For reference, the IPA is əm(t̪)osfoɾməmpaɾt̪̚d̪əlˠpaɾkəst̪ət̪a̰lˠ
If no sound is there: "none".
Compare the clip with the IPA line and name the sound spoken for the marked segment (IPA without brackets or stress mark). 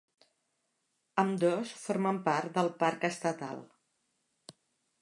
d̪